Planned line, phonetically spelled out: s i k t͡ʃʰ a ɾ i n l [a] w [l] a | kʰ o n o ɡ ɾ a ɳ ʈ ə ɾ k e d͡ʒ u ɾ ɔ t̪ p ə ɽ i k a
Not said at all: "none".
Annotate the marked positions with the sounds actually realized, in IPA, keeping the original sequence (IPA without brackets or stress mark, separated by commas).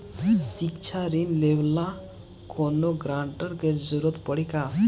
e, l